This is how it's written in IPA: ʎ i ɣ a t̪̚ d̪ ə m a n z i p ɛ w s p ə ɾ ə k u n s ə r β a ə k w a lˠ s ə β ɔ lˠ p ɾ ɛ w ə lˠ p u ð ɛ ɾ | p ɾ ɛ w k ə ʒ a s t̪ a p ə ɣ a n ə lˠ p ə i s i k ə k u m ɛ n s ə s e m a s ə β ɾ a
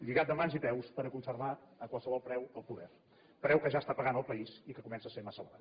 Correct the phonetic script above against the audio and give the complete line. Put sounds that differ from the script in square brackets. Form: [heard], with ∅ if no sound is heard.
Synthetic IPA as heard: ʎ i ɣ a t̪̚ d̪ ə m a n z i p ɛ w s p ə ɾ ə k u n s ə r β a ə k w a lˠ s ə β ɔ lˠ p ɾ ɛ w ə lˠ p u ð ɛ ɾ | p ɾ ɛ w k ə ʒ a s t̪ a p ə ɣ a n ə lˠ p ə i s i k ə k u m ɛ n s ə s e m a s ə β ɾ a